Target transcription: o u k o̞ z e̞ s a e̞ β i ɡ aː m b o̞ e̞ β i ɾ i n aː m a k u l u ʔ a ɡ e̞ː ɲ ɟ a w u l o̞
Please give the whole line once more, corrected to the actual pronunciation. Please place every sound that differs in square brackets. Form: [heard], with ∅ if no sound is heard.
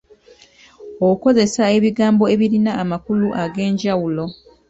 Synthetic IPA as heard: o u k o̞ z e̞ s a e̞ β i ɡ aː m b o̞ e̞ β i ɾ i n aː m a k u l u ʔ a ɡ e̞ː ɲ ɟ a w u l o̞